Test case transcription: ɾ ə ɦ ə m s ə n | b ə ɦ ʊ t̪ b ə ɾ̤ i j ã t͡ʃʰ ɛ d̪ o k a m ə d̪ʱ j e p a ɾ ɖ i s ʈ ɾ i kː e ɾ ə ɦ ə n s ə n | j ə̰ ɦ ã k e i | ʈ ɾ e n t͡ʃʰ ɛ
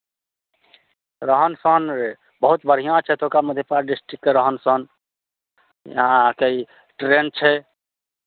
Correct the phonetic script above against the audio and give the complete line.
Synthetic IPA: ɾ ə ɦ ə n s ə n | b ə ɦ u t̪ b ə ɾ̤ i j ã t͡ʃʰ ɛ t̪ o k a m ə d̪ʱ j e p a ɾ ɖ i s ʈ ɾ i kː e ɾ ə ɦ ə n s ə n | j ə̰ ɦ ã k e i | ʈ ɾ e n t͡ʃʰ ɛ